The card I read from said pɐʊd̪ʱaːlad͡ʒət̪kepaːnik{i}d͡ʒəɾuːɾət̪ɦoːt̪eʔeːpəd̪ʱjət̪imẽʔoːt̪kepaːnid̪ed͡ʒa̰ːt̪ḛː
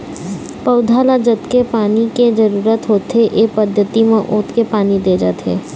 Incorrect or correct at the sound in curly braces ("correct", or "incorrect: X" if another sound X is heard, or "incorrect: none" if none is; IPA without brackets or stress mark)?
incorrect: e